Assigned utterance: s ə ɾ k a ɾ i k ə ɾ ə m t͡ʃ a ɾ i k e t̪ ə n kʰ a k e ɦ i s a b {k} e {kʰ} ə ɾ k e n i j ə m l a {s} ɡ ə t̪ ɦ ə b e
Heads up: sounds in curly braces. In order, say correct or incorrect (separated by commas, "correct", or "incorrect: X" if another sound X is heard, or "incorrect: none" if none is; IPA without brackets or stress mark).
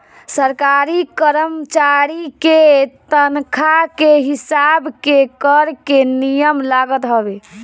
correct, incorrect: k, incorrect: none